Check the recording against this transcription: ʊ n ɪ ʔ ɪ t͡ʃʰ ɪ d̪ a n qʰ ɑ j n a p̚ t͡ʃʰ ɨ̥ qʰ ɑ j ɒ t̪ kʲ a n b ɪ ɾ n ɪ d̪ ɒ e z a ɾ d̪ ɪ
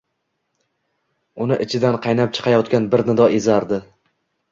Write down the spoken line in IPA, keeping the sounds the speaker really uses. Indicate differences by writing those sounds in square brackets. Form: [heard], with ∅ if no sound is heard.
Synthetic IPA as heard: ʊ n ɪ ʔ ɪ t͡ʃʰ ɪ d̪ a n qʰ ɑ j n a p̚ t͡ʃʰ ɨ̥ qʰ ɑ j ɒ t̪ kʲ a n b ɪ ɾ n ɪ d̪ ɒ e z a ɾ d̪ ɪ